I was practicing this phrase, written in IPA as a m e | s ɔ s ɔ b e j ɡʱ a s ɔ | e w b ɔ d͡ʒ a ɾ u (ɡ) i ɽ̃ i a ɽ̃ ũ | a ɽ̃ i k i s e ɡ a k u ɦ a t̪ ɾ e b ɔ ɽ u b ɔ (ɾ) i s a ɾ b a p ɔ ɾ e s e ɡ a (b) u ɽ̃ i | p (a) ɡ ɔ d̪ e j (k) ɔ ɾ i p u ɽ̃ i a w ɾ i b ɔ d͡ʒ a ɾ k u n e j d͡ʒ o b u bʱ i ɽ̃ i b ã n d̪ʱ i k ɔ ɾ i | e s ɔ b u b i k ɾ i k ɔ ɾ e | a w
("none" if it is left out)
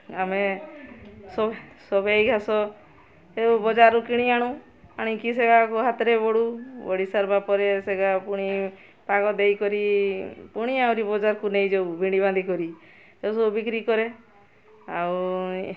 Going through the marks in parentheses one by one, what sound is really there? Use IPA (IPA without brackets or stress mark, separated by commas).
k, ɽ, p, a, k